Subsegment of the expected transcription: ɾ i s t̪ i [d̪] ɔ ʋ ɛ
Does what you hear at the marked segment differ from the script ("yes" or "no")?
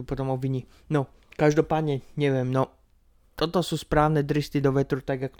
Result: no